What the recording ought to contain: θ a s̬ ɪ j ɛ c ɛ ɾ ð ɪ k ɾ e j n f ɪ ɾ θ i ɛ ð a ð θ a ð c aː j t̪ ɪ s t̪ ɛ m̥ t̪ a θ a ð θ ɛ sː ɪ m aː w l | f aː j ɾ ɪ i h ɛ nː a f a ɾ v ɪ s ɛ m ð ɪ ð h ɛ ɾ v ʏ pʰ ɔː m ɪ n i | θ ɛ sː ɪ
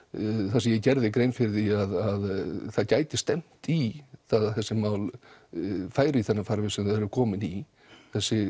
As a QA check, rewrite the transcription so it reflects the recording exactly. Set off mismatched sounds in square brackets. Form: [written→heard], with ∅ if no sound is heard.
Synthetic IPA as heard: θ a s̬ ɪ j ɛ c ɛ ɾ ð ɪ k ɾ e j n f ɪ ɾ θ i [ɛ→a] ð a ð θ a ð c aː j t̪ ɪ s t̪ ɛ m̥ t̪ [a→i] θ a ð θ ɛ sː ɪ m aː w l | f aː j ɾ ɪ i [h→θ] ɛ nː a f a ɾ v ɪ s ɛ m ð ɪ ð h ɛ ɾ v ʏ [pʰ→kʰ] ɔː m ɪ n i | θ ɛ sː ɪ